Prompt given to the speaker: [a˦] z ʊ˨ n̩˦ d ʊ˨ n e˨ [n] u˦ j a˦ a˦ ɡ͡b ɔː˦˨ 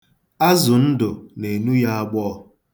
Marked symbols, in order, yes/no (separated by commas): yes, yes